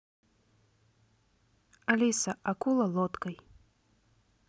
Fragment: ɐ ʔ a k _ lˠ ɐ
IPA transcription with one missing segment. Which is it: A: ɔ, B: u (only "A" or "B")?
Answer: B